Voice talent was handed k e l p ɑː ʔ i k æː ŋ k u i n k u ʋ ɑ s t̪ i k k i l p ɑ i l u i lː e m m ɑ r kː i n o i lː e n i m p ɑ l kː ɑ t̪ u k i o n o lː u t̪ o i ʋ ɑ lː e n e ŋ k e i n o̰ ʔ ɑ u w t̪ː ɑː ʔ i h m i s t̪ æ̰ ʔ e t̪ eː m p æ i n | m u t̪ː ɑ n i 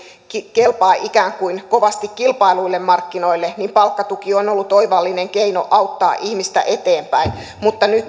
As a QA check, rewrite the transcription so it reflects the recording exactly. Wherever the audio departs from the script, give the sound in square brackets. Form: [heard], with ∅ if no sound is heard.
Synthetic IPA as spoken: k e l p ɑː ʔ i k æː ŋ k u i n k [o] ʋ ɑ s t̪ i k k i l p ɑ i l u i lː e m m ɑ r kː i n o i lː e n i m p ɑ l kː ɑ t̪ u k i o n o lː u t̪ o i ʋ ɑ lː [i] n e ŋ k e i n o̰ ʔ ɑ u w t̪ː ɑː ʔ i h m i s t̪ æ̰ ʔ e t̪ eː m p æ i n | m u t̪ː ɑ n [y]